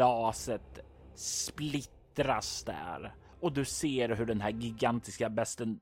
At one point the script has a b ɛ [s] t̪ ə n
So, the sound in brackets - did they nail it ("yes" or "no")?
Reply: yes